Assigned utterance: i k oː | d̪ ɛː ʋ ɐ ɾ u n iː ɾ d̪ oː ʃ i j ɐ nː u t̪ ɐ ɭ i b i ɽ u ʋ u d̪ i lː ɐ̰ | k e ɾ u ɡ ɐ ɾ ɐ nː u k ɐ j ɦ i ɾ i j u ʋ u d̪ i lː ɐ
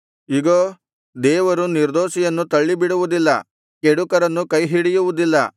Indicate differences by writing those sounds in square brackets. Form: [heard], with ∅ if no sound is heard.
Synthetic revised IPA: i [ɡ] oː | d̪ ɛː ʋ ɐ ɾ u n [i] ɾ d̪ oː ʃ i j ɐ nː u t̪ ɐ [ɭː] i b i ɽ u ʋ u d̪ i lː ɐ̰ | k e [ɽ] u [k] ɐ ɾ ɐ nː u k ɐ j ɦ i [ɽ] i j u ʋ u d̪ i lː ɐ